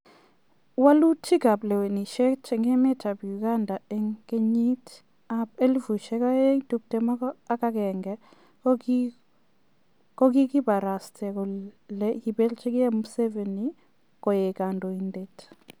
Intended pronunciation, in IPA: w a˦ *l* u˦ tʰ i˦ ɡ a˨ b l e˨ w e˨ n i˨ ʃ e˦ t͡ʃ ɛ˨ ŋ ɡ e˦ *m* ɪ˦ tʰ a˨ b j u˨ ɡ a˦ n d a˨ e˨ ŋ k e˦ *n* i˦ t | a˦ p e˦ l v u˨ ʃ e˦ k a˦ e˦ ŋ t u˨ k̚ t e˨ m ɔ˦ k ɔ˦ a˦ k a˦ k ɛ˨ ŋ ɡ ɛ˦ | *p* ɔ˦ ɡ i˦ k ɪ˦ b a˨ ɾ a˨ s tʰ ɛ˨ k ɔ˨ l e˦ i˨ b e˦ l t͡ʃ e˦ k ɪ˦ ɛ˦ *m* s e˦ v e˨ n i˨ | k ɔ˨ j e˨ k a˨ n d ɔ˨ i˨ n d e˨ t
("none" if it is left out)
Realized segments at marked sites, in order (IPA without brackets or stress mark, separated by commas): l, m, ɲ, k, m